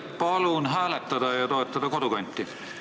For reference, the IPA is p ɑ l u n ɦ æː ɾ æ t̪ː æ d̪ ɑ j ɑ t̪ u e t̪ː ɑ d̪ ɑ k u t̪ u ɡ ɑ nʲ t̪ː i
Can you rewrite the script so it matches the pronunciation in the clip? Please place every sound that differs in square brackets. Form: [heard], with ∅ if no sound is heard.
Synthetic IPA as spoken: p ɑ l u n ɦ æː [l] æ t̪ː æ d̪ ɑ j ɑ t̪ [o] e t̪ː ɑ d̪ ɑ k [o] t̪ u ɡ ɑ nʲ t̪ː i